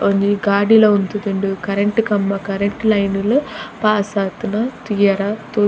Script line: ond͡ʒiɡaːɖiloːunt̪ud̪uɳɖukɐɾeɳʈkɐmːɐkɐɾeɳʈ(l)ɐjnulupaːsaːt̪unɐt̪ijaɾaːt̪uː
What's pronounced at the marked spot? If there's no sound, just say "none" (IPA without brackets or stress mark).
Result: l